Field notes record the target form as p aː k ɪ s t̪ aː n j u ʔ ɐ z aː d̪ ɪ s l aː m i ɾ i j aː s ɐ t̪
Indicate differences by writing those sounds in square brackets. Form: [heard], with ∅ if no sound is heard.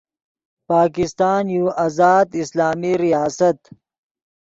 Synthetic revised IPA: p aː k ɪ s t̪ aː n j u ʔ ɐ z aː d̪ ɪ s l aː m i ɾ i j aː s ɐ t̪